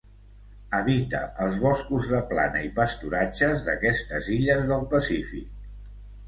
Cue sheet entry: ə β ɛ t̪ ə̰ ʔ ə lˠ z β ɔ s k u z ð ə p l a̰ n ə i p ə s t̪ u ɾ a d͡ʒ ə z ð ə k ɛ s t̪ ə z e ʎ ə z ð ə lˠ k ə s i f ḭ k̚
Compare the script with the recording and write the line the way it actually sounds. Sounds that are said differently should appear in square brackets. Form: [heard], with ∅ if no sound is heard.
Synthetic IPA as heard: ə β [i] t̪ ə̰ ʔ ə lˠ z β ɔ s k u z ð ə p l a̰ n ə i p ə s t̪ u ɾ a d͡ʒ ə z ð ə k ɛ s t̪ ə z [i] ʎ ə z ð ə lˠ [p] ə s i f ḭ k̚